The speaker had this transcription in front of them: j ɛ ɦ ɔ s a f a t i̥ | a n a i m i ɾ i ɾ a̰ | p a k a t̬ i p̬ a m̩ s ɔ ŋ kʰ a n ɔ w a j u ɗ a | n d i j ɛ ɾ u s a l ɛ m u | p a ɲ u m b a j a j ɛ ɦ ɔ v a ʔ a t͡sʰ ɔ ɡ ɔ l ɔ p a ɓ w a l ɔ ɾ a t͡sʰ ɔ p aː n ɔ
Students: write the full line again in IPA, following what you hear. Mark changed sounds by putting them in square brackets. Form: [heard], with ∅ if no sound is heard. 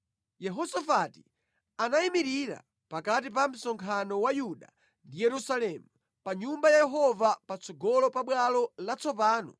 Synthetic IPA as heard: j ɛ ɦ ɔ s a f a t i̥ | a n a i m i ɾ i ɾ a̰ | p a k a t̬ i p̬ a m̩ s ɔ ŋ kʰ a n ɔ w a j u ɗ a | n d i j ɛ ɾ u s a l ɛ m u | p a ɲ u m b a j a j ɛ ɦ ɔ v a [p] a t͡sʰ ɔ ɡ ɔ l ɔ p a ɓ w a l ɔ [l] a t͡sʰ ɔ p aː n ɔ